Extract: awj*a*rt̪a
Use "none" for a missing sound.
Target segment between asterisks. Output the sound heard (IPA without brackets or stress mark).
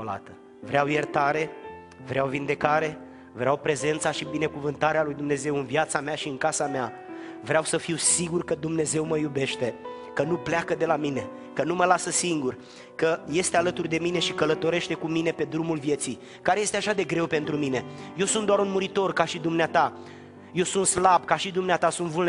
e